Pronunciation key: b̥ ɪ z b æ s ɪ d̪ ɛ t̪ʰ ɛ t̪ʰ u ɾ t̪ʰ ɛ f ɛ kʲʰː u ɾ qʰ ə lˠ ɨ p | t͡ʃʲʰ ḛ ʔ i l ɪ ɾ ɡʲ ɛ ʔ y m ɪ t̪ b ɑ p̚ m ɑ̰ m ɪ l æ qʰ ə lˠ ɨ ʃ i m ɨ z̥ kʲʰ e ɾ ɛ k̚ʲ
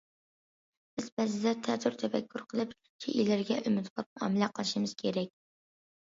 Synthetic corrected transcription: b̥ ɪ z b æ z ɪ d̪ ɛ t̪ʰ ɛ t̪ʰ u ɾ t̪ʰ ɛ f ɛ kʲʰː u ɾ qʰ ə lˠ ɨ p | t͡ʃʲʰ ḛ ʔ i l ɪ ɾ ɡʲ ɛ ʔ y m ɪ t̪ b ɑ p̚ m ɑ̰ m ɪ l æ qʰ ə lˠ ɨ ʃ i m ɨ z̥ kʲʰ e ɾ ɛ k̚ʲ